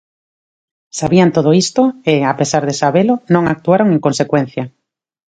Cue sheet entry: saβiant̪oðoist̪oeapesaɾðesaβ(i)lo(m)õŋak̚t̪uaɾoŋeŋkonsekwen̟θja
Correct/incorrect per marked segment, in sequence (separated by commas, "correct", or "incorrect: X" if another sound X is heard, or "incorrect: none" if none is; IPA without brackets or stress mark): incorrect: e, incorrect: n